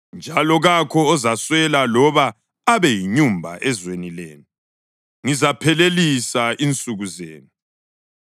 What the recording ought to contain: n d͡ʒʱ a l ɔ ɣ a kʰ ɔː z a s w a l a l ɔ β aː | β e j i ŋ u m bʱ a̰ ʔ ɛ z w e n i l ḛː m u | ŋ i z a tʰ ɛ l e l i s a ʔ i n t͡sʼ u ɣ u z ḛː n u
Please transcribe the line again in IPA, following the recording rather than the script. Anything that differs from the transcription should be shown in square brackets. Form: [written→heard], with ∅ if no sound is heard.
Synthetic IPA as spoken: n d͡ʒʱ a l ɔ ɣ a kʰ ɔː z a s w [a→ɛ] l a l ɔ β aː | β [e→ɛ] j i [ŋ→ɲ] u m bʱ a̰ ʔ ɛ z w e n i l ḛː [m→n] u | ŋ i z a [tʰ→pʰ] ɛ l e l i s a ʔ i n t͡sʼ u ɣ u z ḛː n u

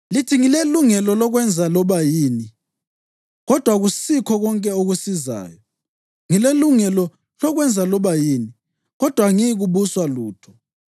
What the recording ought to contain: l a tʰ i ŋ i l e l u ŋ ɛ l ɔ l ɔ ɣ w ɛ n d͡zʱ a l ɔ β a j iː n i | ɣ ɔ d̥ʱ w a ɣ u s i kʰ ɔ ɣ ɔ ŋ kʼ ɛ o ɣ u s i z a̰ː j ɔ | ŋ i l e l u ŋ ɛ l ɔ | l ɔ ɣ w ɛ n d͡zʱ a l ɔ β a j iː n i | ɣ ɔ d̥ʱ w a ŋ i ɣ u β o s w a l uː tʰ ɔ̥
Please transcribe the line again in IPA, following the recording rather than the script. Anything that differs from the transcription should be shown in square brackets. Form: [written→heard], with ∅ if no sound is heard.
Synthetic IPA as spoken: l [a→i] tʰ i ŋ i l e l u ŋ ɛ l ɔ l ɔ ɣ w ɛ n d͡zʱ a l ɔ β a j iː n i | ɣ ɔ d̥ʱ w a ɣ u s i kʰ ɔ ɣ ɔ ŋ kʼ ɛ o ɣ u s i z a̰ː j ɔ | ŋ i l e l u ŋ ɛ l ɔ | l ɔ ɣ w ɛ n d͡zʱ a l ɔ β a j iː n i | ɣ ɔ d̥ʱ w a ŋ i ɣ u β [o→u] s w a l uː tʰ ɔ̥

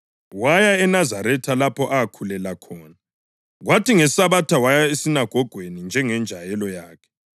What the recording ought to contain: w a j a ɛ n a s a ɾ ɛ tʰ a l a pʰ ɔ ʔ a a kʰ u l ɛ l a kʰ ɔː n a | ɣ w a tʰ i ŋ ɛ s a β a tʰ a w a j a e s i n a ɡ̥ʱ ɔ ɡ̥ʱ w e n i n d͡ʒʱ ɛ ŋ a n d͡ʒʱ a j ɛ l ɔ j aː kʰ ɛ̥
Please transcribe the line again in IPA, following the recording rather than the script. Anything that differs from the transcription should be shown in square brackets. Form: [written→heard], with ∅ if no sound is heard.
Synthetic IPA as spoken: w a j a ɛ n a [s→z] a ɾ ɛ tʰ a l a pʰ ɔ ʔ a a kʰ u l ɛ l a kʰ ɔː n a | ɣ w a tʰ i ŋ ɛ s a β a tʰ a w a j a e s i n a ɡ̥ʱ ɔ ɡ̥ʱ w e n i n d͡ʒʱ ɛ ŋ [a→ɛ] n d͡ʒʱ a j ɛ l ɔ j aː kʰ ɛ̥

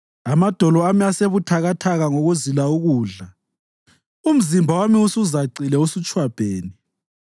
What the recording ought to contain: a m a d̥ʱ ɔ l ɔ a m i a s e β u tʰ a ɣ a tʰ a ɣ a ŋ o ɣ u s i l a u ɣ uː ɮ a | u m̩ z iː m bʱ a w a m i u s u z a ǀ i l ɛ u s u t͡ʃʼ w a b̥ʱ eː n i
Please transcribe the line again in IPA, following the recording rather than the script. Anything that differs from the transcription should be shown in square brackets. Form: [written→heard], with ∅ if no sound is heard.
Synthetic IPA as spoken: a m a d̥ʱ ɔ l ɔ a m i a s e β u tʰ a ɣ a tʰ a ɣ a ŋ o ɣ u [s→z] i l a u ɣ uː ɮ a | u m̩ z [iː→i] m bʱ a w a m i u s u z a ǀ i l ɛ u s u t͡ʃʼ w a b̥ʱ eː n i

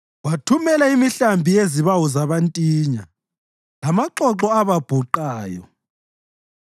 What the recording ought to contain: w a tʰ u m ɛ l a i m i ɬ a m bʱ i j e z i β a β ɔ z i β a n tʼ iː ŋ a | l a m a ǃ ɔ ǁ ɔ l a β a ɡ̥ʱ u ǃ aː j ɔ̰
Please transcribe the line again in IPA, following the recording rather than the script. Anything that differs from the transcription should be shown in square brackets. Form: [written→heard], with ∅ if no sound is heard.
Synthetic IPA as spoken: w a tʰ u m ɛ l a i m i ɬ a m bʱ i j e z i β a [β→w] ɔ z [i→a] β a n tʼ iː [ŋ→ɲ] a | l a m a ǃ ɔ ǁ ɔ [l→∅] a β a [ɡ̥ʱ→b̥ʱ] u ǃ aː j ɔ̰

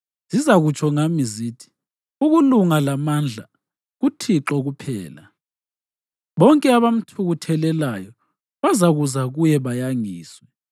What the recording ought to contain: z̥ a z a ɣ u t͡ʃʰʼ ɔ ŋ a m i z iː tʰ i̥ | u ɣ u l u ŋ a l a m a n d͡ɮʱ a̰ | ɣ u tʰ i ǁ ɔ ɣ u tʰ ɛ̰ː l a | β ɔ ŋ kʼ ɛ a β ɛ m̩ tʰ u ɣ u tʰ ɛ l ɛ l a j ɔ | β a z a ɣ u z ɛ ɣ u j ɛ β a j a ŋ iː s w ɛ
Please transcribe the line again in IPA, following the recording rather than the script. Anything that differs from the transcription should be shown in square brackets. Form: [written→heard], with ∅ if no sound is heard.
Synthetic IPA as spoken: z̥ [a→i] z a ɣ u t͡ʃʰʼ ɔ ŋ a m i z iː tʰ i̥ | u ɣ u l u ŋ a l a m a n d͡ɮʱ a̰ | ɣ u tʰ i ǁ ɔ ɣ u [tʰ→pʰ] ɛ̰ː l a | β ɔ ŋ kʼ ɛ a β [ɛ→a] m̩ tʰ u ɣ u tʰ ɛ l ɛ l a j ɔ | β a z a ɣ u z [ɛ→a] ɣ u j ɛ β a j a ŋ iː s w ɛ

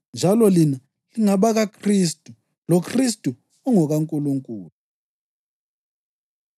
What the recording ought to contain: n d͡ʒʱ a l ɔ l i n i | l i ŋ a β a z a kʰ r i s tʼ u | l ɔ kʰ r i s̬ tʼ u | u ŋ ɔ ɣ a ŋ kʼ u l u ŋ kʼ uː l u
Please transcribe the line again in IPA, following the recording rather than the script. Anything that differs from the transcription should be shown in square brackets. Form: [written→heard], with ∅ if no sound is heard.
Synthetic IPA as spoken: n d͡ʒʱ a l ɔ l i n [i→a] | l i ŋ a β a [z→ɣ] a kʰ r i s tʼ u | l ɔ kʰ r i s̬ tʼ u | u ŋ ɔ ɣ a ŋ kʼ u l u ŋ kʼ uː l u

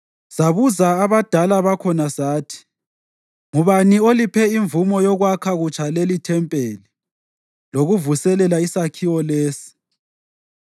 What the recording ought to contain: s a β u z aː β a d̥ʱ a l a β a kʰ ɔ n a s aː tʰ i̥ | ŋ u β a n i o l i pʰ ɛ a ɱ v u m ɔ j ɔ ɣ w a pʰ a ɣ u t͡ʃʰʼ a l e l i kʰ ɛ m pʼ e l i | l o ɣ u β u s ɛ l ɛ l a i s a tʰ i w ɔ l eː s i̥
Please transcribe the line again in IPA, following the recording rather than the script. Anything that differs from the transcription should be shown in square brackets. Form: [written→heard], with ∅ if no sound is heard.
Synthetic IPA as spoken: s a β u z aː β a d̥ʱ a l a β a kʰ ɔ n a s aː tʰ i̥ | ŋ u β a n i o l i pʰ ɛ [a→i] ɱ v u m ɔ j ɔ ɣ w a [pʰ→kʰ] a ɣ u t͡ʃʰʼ a l e l i [kʰ→tʰ] ɛ m pʼ e l i | l o ɣ u [β→v] u s ɛ l ɛ l a i s a [tʰ→kʰ] i w ɔ l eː s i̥

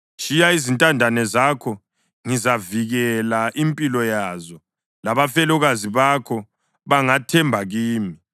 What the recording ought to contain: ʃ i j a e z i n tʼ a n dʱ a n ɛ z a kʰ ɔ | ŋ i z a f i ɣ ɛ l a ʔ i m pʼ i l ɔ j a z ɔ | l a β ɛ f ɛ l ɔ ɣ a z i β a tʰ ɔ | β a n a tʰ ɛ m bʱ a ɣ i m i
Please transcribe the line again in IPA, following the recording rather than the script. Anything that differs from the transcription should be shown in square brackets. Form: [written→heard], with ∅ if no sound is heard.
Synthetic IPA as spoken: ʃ i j a [e→i] z i n tʼ a n dʱ a n ɛ z a kʰ ɔ | ŋ i z a [f→v] i ɣ ɛ l a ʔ i m pʼ i l ɔ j a z ɔ | l a β [ɛ→a] f ɛ l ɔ ɣ a z i β a [tʰ→kʰ] ɔ | β a [n→ŋ] a tʰ ɛ m bʱ a ɣ [i→iː] m i

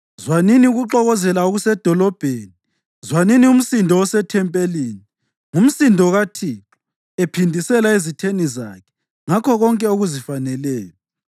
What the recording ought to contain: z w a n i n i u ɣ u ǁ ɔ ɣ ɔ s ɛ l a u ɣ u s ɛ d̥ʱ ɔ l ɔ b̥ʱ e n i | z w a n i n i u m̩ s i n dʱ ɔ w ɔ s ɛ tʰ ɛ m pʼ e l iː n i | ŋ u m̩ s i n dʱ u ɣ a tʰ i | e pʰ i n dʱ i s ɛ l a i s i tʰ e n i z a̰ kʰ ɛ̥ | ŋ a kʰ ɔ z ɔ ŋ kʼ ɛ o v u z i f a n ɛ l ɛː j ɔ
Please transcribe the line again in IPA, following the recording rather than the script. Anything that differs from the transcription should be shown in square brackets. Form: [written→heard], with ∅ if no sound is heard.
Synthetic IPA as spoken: z w a n i n i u ɣ u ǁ ɔ ɣ ɔ [s→z] ɛ l a u ɣ u s ɛ d̥ʱ ɔ l ɔ b̥ʱ e n i | z w a n i n i u m̩ s i n dʱ ɔ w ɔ s ɛ tʰ ɛ m pʼ e l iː n i | ŋ u m̩ s i n dʱ [u→ɔ] ɣ a tʰ i | e pʰ i n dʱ i s ɛ l a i [s→z] i tʰ e n i z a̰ kʰ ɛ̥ | ŋ a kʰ ɔ [z→ɣ] ɔ ŋ kʼ ɛ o [v→ɣ] u z i f a n ɛ l ɛː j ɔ

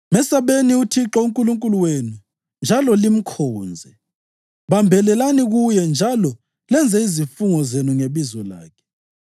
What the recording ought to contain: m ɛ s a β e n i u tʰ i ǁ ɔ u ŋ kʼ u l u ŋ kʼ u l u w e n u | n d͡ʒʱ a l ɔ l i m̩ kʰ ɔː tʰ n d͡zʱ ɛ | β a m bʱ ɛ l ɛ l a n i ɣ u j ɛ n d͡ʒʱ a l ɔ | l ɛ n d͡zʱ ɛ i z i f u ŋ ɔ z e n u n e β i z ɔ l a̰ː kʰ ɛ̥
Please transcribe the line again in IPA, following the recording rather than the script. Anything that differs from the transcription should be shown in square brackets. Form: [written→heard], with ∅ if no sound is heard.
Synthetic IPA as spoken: m ɛ s a β e n i u tʰ i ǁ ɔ u ŋ kʼ u l u ŋ kʼ u l u w e n u | n d͡ʒʱ a l ɔ l i m̩ kʰ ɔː [tʰ→∅] n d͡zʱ ɛ | β a m bʱ ɛ l ɛ l a n i ɣ u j ɛ n d͡ʒʱ a l ɔ | l ɛ n d͡zʱ ɛ i z i f u ŋ ɔ z e n u [n→ŋ] e β i z ɔ l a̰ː kʰ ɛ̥

